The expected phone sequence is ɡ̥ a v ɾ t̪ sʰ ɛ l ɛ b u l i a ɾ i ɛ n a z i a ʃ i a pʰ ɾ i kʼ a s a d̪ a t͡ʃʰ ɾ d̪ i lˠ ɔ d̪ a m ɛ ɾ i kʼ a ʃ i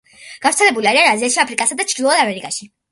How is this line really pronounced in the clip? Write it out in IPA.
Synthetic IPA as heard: ɡ̥ a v ɾ t̪ sʰ ɛ l ɛ b u l i a ɾ i a n a z i a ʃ i a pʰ ɾ i kʼ a s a d̪ a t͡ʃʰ ɾ d̪ i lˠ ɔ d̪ a m ɛ ɾ i kʼ a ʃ i